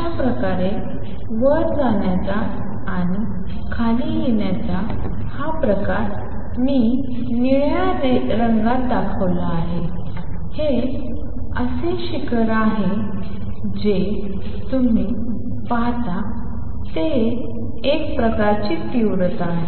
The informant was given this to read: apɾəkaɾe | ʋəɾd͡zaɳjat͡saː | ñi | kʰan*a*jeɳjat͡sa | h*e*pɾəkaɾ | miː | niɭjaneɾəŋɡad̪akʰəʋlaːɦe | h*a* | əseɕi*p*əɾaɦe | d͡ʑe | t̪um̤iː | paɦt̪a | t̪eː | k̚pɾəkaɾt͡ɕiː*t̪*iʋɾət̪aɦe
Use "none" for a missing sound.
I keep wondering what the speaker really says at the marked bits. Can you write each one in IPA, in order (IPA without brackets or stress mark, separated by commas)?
i, a, e, k, t̪